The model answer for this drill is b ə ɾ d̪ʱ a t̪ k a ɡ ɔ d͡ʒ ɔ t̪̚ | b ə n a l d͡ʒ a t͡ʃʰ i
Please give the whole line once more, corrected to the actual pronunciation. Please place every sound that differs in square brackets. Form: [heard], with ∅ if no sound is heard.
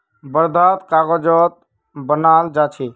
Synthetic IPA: b ə ɾ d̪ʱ a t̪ k a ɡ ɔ d͡ʒ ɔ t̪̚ | b ə n a l d͡ʒ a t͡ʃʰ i

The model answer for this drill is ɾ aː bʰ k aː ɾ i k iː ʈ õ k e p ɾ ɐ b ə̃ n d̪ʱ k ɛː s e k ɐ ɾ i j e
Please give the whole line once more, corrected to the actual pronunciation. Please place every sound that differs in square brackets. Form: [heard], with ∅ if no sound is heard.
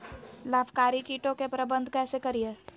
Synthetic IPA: [l] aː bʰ k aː ɾ i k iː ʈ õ k e p ɾ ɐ b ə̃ n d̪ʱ k ɛː s e k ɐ ɾ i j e

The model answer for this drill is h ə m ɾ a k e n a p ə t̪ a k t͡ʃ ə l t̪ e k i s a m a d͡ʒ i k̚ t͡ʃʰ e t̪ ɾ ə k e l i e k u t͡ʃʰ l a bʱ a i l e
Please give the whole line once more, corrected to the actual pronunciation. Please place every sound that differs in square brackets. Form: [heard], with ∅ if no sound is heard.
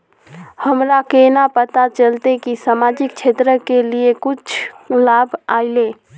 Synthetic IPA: h ə m ɾ a k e n a p ə t̪ a [∅] t͡ʃ ə l t̪ e k i s a m a d͡ʒ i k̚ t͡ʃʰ e t̪ ɾ ə k e l i e k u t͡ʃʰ l a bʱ a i l e

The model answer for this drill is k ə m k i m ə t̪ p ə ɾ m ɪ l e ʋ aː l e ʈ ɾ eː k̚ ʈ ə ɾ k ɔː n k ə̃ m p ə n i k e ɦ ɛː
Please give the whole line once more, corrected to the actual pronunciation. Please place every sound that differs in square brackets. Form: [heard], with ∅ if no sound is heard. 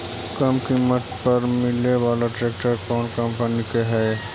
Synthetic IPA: k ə m k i m ə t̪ p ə ɾ m ɪ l e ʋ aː l [a] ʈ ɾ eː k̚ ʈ ə ɾ k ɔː n k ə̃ m p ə n i k e ɦ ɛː

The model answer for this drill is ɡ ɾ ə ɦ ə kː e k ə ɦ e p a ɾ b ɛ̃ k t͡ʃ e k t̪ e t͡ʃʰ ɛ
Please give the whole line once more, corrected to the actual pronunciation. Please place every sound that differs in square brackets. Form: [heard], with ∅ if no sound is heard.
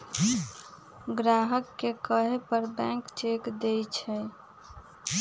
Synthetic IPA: ɡ ɾ [a] ɦ ə kː e k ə ɦ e p [ə] ɾ b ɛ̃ k t͡ʃ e k [d̪] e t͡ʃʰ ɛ

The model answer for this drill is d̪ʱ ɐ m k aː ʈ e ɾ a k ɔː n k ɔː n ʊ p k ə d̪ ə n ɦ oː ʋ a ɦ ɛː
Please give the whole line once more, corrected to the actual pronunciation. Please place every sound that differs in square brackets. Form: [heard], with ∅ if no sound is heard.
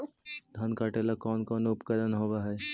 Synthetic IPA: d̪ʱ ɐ [n] k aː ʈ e [l] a k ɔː n k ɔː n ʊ p k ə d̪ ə n ɦ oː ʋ a ɦ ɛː

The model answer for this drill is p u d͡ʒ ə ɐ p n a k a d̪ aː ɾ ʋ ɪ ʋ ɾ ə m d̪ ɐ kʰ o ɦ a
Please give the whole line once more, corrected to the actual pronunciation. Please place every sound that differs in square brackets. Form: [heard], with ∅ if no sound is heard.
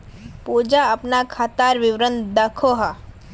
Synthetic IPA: p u d͡ʒ [a] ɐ p n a [kʰ] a [t̪] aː ɾ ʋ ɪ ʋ ɾ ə [n] d̪ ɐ kʰ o ɦ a

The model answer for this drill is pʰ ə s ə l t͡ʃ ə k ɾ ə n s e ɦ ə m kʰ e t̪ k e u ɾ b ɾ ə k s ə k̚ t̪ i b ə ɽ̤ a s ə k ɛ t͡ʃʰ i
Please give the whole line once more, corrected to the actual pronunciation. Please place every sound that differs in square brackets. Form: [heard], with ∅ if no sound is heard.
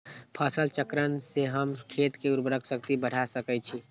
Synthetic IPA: pʰ ə s ə l t͡ʃ ə k ɾ ə n s e ɦ ə m kʰ e t̪ k e u ɾ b ɾ ə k s ə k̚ t̪ i b ə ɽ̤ a s ə k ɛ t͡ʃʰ i

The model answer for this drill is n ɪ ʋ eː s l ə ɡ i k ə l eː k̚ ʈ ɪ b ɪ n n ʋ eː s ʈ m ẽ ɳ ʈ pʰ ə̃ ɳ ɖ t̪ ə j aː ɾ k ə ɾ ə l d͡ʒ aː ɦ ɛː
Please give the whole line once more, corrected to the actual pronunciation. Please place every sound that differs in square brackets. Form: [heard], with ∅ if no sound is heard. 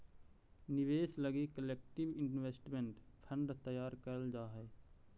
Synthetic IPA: n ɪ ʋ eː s l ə ɡ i k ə l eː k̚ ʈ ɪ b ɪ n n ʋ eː s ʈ m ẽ ɳ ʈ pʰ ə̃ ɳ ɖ t̪ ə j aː ɾ k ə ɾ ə l d͡ʒ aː ɦ ɛː

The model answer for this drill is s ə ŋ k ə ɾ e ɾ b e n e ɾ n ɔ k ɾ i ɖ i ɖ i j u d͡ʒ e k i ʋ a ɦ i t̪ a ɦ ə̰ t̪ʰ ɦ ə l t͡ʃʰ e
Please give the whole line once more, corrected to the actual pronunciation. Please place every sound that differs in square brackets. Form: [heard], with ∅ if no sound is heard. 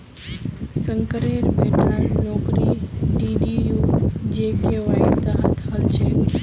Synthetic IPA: s ə ŋ k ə ɾ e ɾ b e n [a] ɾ n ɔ k ɾ i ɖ i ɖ i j u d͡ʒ e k [e] ʋ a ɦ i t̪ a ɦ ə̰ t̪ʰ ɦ ə l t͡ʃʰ e

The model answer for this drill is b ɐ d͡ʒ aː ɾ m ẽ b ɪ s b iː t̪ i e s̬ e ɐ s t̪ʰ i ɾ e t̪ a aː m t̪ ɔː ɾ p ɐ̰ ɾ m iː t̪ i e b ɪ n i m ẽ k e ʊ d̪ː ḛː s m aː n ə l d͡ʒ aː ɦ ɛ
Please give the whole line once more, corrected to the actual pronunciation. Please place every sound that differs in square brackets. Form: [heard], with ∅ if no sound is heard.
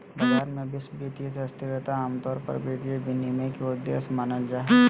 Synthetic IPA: b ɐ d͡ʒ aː ɾ m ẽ b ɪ s b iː t̪ i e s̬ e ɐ s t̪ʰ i ɾ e t̪ a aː m t̪ ɔː ɾ p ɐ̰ ɾ [b] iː t̪ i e b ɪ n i m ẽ k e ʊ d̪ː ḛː s m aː n ə l d͡ʒ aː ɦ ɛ

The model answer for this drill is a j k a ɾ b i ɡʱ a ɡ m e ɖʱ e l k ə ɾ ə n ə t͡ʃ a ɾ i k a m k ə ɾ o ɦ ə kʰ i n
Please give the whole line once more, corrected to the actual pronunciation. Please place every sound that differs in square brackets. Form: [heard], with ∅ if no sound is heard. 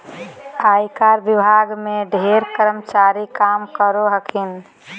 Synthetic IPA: a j k a ɾ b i [bʱ] a ɡ m e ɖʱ e [ɾ] k ə ɾ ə [m] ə t͡ʃ a ɾ i k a m k ə ɾ o ɦ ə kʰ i n

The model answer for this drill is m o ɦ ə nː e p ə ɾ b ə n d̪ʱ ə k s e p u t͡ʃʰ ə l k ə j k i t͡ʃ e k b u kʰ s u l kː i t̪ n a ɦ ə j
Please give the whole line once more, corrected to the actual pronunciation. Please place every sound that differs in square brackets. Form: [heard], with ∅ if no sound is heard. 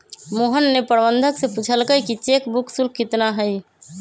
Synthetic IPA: m o ɦ ə nː e p ə ɾ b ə n d̪ʱ ə k s e p u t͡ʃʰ ə l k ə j k i t͡ʃ e k b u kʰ s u l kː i t̪ n a ɦ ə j

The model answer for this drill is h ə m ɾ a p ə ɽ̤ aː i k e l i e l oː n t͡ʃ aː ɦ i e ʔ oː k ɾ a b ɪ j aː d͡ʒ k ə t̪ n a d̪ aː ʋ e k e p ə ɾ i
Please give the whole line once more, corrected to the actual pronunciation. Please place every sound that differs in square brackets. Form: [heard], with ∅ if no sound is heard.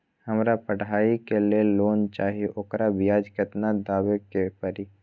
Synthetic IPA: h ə m ɾ a p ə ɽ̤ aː i k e l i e l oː n t͡ʃ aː ɦ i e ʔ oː k ɾ a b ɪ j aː d͡ʒ k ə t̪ n a d̪ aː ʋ e k e p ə ɾ i

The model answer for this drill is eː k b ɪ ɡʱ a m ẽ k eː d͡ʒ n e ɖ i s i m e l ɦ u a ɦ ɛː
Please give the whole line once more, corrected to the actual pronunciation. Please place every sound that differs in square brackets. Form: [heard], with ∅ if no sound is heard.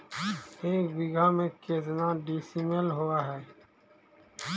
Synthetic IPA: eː k b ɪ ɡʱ a m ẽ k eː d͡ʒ n [a] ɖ i s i m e l ɦ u a ɦ ɛː

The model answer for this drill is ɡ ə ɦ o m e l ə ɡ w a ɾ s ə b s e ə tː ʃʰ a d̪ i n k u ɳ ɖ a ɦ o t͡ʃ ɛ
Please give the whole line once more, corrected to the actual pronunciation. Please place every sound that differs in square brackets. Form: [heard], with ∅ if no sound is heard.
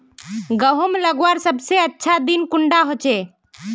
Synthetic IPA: ɡ ə ɦ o m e l ə ɡ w a ɾ s ə b s e ə tː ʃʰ a d̪ i n k u ɳ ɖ a ɦ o t͡ʃ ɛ

